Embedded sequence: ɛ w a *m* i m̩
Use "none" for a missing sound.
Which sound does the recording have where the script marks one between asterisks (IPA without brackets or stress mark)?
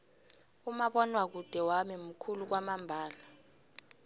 m